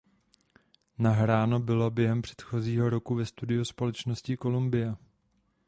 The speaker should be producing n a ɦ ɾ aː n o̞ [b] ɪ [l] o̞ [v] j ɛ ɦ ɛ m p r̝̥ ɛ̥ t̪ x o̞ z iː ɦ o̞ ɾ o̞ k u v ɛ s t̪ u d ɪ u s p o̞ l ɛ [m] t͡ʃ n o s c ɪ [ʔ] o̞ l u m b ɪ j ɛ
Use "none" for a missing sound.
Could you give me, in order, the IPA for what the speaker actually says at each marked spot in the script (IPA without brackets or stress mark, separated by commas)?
b, l, b, none, k